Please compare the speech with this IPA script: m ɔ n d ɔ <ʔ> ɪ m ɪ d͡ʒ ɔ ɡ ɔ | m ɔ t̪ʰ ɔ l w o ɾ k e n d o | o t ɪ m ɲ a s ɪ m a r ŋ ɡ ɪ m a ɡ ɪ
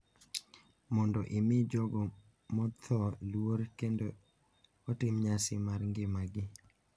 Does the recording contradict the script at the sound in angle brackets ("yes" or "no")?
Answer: no